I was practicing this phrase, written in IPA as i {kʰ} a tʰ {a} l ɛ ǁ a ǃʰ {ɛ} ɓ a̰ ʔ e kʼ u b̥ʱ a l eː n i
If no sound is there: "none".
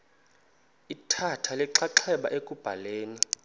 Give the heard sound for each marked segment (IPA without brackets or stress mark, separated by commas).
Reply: tʰ, a, ɛ